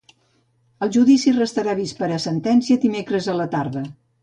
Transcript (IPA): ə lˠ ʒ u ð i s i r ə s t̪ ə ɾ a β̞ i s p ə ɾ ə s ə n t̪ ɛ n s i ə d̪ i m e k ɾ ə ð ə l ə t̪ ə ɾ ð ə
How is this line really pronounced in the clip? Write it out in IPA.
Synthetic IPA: ə lˠ ʒ u ð i s i r ə s t̪ ə ɾ a β̞ i s p ə ɾ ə s ə n t̪ ɛ n s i ə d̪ i m e k ɾ ə z ə l ə t̪ a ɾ ð ə